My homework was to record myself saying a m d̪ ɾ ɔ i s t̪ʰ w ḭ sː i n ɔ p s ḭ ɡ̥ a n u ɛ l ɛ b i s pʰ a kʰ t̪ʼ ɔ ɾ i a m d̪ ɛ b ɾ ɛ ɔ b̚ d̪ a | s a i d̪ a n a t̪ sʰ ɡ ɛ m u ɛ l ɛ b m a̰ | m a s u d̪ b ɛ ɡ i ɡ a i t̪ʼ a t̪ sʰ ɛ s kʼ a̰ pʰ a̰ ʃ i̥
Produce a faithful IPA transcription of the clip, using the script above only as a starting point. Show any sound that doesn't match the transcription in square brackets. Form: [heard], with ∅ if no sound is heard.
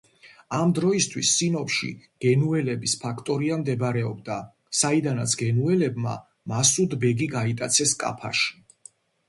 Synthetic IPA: a m d̪ ɾ ɔ i s t̪ʰ w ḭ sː i n ɔ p [ʃ] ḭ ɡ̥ [ɛ] n u ɛ l ɛ b i s pʰ a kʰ t̪ʼ ɔ ɾ i a m d̪ ɛ b ɾ ɛ ɔ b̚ d̪ a | s a i d̪ a n a t̪ sʰ ɡ ɛ [n] u ɛ l ɛ b m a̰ | m a s u d̪ b ɛ ɡ i ɡ a i t̪ʼ a t̪ sʰ ɛ s kʼ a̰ pʰ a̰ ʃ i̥